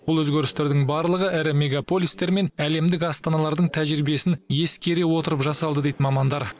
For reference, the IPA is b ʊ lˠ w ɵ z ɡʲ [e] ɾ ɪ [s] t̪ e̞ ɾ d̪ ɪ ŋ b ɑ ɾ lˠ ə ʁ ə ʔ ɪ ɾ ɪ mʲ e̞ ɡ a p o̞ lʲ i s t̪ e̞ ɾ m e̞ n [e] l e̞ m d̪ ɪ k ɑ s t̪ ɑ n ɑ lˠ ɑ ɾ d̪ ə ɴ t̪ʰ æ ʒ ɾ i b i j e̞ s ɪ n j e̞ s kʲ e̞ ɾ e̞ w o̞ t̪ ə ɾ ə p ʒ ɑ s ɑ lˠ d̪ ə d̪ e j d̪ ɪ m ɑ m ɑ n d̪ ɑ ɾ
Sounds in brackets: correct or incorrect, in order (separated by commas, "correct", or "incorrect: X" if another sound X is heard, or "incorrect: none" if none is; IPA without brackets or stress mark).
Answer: correct, correct, incorrect: æ